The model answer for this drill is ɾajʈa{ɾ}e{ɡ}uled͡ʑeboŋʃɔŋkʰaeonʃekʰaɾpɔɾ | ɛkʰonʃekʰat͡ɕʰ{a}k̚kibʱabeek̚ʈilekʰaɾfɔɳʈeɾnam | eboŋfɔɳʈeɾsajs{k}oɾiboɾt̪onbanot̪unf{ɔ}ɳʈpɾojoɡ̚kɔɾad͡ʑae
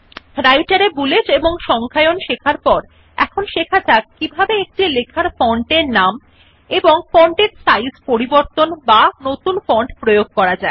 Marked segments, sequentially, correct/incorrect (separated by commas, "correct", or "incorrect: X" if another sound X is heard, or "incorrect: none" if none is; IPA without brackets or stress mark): correct, incorrect: b, correct, incorrect: p, correct